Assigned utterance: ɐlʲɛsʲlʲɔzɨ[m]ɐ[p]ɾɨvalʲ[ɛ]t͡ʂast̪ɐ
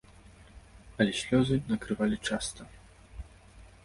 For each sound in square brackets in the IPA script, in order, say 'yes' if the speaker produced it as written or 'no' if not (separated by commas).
no, no, no